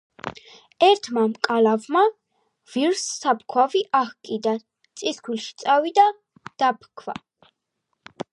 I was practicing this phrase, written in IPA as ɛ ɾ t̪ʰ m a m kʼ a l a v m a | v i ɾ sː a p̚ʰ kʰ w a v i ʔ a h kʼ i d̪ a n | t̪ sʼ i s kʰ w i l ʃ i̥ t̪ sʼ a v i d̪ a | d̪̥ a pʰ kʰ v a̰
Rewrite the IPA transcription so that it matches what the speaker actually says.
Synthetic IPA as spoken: ɛ ɾ t̪ʰ m a m kʼ a l a v m a | v i ɾ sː a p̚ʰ kʰ w a v i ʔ a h kʼ i d̪ a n | t̪ sʼ i s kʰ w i l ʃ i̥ t̪ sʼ a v i d̪ a | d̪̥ a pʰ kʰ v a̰